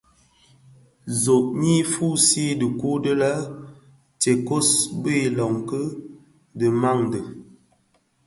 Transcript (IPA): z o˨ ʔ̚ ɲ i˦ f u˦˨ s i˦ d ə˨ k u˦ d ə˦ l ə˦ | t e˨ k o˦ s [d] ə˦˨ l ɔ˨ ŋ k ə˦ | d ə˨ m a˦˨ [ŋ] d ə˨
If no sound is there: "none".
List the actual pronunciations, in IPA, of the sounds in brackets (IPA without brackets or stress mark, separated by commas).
b, ŋ